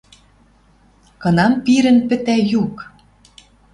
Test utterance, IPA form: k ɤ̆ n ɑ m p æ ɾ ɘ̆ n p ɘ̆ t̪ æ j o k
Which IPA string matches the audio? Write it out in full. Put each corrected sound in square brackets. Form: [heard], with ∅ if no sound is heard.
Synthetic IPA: k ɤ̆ n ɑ m p [i] ɾ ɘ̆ n p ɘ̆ t̪ æ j [u] k